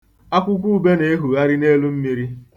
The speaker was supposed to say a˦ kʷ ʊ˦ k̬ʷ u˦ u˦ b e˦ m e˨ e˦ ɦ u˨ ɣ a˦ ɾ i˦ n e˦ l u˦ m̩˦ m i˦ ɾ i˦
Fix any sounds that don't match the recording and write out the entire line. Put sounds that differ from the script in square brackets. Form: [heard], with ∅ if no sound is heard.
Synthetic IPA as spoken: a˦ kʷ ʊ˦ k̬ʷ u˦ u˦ b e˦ [n] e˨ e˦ ɦ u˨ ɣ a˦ ɾ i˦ n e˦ l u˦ m̩˦ m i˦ ɾ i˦

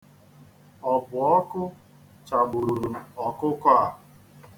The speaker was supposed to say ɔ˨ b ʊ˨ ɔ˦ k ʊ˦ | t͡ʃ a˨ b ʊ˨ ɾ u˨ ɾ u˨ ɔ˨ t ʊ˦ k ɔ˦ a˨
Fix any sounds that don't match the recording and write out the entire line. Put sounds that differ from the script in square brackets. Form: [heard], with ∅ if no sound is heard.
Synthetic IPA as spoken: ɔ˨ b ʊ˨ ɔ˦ k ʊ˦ | t͡ʃ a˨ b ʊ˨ ɾ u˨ ɾ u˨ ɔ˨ [k] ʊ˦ k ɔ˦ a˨

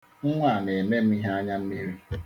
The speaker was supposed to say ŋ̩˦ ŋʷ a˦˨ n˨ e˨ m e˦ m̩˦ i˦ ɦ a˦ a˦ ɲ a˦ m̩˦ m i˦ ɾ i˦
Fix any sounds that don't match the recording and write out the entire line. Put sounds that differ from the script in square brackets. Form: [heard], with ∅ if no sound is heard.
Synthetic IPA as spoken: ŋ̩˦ ŋʷ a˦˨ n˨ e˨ m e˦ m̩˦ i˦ ɦ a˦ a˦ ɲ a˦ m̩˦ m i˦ ɾ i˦

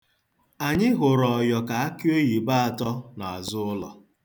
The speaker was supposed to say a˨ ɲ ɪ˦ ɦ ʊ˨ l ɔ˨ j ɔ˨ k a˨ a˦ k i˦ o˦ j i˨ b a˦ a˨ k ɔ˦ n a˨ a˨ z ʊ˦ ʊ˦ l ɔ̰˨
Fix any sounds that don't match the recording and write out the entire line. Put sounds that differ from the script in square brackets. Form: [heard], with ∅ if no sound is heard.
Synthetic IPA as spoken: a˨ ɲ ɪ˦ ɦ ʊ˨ [ɾ] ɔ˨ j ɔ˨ k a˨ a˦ k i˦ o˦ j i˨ b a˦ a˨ [t] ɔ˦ n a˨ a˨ z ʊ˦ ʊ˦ l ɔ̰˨

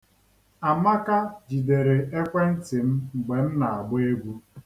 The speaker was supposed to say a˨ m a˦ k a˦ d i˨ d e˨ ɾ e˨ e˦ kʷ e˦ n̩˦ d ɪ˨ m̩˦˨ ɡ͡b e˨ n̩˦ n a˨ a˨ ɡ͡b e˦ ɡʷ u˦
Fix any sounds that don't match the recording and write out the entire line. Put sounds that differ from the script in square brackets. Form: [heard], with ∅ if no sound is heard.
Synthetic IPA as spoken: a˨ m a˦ k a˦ [d͡ʒ] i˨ d e˨ ɾ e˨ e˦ kʷ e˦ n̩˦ [t] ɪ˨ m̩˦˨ ɡ͡b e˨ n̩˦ n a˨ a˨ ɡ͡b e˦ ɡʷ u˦

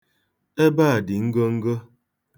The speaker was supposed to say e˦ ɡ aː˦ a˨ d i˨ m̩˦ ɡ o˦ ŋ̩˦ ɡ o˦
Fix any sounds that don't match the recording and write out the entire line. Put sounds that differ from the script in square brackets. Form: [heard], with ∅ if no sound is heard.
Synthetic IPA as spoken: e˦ [b] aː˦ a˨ d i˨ [ŋ̩˦] ɡ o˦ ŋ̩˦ ɡ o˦

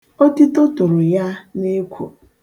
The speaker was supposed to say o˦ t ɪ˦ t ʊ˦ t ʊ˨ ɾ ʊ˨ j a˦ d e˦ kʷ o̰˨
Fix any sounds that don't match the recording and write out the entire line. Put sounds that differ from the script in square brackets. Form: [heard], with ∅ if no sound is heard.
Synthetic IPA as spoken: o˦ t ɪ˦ t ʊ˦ t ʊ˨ ɾ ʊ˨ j a˦ [n] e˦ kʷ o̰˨

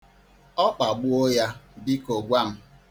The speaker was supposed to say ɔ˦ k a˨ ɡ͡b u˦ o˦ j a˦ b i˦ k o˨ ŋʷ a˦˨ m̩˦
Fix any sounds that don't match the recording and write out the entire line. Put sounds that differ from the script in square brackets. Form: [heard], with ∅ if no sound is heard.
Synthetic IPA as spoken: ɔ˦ [k͡p] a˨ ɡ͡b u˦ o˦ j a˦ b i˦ k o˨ [ɡʷ] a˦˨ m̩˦

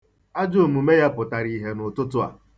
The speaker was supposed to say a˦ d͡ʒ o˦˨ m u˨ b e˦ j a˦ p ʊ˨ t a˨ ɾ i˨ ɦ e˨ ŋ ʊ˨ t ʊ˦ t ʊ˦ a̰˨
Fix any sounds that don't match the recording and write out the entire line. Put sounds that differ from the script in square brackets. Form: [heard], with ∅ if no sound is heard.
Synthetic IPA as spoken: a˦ d͡ʒ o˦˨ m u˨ [m] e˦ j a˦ p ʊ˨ t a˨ ɾ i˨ ɦ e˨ [n] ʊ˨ t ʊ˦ t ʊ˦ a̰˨

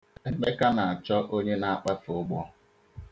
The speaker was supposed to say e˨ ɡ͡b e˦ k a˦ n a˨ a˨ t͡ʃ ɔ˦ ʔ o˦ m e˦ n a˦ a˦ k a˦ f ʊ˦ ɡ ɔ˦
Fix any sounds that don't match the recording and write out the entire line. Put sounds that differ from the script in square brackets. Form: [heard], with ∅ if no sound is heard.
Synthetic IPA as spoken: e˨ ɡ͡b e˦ k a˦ n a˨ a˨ t͡ʃ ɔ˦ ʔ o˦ [ɲ] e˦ n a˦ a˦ [k͡p] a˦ f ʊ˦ [ɡ͡b] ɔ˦

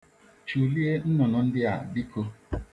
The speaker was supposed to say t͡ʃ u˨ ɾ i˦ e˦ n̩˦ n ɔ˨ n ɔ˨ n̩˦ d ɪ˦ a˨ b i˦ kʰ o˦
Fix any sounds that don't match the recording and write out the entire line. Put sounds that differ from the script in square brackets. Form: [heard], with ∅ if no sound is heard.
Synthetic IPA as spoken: t͡ʃ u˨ [l] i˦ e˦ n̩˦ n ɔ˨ n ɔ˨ n̩˦ d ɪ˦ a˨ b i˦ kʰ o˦

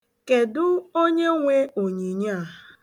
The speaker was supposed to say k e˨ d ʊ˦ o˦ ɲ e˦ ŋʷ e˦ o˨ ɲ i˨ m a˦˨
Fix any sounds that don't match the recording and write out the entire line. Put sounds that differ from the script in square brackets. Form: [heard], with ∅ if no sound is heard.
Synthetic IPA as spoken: k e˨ d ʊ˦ o˦ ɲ e˦ ŋʷ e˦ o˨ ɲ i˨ [ɲ] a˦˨

